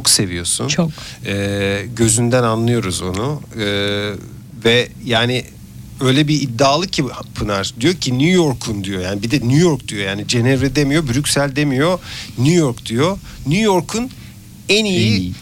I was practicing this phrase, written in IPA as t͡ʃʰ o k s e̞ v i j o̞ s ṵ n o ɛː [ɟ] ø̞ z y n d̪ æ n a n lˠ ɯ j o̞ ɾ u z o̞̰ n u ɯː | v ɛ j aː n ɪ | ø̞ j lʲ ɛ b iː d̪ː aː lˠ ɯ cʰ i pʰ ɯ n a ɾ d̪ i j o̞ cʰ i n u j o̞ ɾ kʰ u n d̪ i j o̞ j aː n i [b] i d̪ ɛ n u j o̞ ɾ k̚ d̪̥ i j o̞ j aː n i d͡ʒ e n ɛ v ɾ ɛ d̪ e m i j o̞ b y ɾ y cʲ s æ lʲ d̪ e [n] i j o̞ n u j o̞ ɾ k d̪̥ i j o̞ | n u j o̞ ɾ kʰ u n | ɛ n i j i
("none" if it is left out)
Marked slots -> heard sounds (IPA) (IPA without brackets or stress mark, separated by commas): ɟ, b, m